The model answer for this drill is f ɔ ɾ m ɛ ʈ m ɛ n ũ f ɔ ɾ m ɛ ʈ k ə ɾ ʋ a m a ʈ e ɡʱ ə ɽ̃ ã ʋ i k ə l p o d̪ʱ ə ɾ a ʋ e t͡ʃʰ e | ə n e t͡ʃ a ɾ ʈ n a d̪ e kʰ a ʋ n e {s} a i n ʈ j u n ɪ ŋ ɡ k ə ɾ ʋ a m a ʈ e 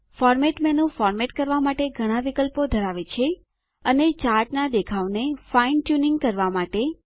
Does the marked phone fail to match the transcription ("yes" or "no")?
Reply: yes